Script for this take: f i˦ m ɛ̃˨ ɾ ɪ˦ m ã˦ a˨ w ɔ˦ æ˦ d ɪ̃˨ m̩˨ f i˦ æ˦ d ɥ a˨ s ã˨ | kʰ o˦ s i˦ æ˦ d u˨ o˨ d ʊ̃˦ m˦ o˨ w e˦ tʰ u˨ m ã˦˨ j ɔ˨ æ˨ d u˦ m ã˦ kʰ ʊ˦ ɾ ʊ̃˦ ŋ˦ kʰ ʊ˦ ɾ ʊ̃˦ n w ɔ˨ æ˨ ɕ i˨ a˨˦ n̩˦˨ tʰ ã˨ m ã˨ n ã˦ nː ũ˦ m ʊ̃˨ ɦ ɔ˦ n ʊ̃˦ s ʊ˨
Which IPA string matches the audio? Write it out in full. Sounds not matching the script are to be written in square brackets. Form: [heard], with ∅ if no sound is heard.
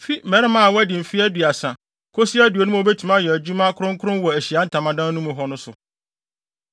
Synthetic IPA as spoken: f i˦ m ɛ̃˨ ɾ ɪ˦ m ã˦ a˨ w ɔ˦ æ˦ d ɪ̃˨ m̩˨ f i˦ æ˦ d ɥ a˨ s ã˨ | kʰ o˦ s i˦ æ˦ d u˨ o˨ [n] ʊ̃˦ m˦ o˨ [b] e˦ tʰ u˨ m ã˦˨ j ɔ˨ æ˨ [d͡ʑ] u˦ m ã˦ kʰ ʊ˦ ɾ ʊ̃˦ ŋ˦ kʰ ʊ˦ ɾ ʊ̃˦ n w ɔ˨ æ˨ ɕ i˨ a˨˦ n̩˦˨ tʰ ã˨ m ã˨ [d] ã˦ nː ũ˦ m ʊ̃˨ ɦ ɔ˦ n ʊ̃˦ s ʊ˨

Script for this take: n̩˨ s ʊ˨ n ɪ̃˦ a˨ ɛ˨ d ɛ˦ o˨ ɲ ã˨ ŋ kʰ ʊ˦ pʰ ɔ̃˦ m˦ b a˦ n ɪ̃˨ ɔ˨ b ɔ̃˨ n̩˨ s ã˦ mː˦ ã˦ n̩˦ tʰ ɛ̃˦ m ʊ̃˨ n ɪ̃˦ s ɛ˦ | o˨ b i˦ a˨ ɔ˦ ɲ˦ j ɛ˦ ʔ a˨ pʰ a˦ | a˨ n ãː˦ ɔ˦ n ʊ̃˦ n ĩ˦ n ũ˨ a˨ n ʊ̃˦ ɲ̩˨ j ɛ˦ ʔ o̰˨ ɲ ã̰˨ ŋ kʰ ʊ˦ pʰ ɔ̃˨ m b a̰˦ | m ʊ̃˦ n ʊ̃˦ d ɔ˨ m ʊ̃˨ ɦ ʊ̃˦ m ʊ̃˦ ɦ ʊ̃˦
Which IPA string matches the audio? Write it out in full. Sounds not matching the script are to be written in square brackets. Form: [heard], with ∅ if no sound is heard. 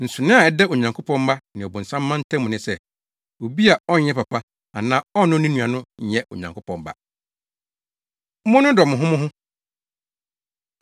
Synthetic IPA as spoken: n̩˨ s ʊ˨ n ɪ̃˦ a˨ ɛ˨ d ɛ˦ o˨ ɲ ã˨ ŋ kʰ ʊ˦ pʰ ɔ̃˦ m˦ b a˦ n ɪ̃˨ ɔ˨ b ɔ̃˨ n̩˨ s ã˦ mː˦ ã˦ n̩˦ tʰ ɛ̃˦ m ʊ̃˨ n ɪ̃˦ s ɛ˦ | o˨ b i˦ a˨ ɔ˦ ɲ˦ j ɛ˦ [p] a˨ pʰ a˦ | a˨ n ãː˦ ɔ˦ n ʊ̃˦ n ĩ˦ n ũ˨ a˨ n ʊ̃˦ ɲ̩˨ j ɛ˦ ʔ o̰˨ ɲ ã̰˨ ŋ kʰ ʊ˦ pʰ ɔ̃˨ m b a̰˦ | m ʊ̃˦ n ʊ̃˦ d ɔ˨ m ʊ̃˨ ɦ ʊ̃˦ m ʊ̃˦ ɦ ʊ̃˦

